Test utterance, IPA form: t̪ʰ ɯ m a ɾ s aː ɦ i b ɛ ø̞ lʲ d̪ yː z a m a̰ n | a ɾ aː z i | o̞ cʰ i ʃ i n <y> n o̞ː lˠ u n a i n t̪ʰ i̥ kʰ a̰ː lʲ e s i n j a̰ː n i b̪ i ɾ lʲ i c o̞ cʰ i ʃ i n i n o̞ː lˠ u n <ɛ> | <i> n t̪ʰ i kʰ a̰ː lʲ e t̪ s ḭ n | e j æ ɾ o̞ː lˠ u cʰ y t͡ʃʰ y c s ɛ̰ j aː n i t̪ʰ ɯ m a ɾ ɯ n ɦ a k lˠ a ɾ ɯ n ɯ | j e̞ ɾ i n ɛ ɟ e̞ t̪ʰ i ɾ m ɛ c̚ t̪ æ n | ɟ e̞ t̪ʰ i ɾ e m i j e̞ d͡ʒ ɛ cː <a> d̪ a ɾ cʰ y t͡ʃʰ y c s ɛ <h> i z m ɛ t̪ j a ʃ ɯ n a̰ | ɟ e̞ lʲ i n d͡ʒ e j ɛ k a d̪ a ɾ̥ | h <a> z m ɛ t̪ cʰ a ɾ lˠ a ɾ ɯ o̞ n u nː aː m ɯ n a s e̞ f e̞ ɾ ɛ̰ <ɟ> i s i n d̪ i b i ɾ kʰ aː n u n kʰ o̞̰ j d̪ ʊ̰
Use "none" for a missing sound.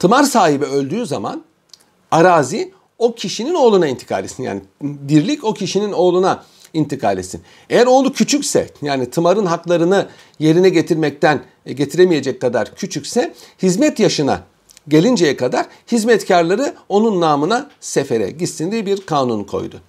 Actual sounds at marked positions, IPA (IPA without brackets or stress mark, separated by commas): i, a, i, a, h, i, ɟ